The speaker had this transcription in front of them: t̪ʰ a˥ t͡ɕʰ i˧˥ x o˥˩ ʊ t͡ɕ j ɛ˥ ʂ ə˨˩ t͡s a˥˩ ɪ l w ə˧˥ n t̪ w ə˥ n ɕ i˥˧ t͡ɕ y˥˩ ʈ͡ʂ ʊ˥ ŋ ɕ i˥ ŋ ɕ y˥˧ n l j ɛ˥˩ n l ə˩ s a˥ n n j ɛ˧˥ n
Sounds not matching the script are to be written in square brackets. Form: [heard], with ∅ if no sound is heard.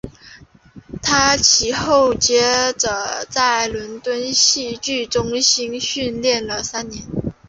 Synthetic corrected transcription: t̪ʰ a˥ t͡ɕʰ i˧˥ x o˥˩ ʊ t͡ɕ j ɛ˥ [ʈ͡ʂ] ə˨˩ t͡s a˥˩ ɪ l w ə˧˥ n t̪ w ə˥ n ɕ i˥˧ t͡ɕ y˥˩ ʈ͡ʂ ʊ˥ ŋ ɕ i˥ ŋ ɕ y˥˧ n l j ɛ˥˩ n l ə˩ s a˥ n n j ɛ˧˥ n